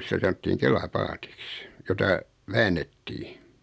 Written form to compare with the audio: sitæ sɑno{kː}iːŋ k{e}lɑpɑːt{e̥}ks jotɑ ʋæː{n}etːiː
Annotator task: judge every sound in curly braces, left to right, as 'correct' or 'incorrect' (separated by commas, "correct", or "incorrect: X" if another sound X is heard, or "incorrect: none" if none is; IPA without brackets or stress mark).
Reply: incorrect: tː, correct, incorrect: i̥, incorrect: nː